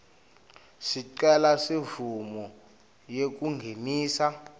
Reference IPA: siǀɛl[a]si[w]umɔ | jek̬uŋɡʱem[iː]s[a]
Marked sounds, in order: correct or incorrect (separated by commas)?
correct, incorrect, correct, correct